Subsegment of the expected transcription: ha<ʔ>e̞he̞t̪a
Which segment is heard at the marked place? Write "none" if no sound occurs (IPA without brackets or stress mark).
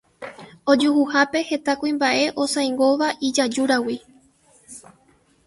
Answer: p